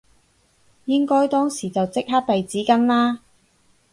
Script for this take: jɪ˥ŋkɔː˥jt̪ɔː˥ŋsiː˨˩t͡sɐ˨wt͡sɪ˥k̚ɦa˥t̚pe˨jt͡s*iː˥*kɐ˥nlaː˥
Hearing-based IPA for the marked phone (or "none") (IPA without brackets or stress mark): iː˨˥